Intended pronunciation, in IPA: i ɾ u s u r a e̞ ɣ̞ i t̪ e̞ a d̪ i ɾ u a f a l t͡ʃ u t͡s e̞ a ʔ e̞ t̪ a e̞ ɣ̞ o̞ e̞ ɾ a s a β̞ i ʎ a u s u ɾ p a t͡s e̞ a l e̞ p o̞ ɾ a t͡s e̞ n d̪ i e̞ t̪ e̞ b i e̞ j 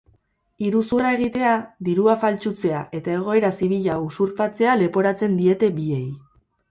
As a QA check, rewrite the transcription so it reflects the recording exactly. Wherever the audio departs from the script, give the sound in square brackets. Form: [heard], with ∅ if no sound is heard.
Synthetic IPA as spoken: i ɾ u s u r a e̞ ɣ̞ i t̪ e̞ a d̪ i ɾ u a f a l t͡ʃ u t͡s e̞ a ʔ e̞ t̪ a e̞ ɣ̞ o̞ e̞ ɾ a s [i] β̞ i ʎ a u s u ɾ p a t͡s e̞ a l e̞ p o̞ ɾ a t͡s e̞ n d̪ i e̞ t̪ e̞ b i e̞ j